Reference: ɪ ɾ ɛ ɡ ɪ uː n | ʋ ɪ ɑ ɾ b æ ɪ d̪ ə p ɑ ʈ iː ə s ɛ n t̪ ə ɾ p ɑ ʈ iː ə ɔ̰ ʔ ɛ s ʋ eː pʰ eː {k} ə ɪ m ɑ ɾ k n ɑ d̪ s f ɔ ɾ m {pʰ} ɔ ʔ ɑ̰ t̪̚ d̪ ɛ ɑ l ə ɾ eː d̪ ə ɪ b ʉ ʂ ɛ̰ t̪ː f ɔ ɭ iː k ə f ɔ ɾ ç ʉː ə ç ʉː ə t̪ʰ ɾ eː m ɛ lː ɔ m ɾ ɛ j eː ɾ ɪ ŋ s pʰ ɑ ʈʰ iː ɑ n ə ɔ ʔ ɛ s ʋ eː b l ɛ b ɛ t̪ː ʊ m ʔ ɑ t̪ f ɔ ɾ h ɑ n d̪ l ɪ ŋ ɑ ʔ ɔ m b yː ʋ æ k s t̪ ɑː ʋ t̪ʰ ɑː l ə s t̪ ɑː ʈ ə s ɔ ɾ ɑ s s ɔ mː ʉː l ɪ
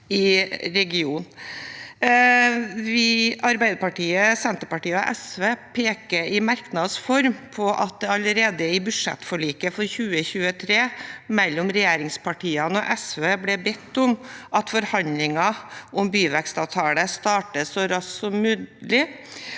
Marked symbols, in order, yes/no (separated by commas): yes, yes